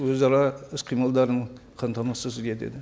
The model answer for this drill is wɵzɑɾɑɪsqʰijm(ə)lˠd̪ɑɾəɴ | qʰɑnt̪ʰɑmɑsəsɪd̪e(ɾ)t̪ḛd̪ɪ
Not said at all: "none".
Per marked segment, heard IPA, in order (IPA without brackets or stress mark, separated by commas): ɑ, none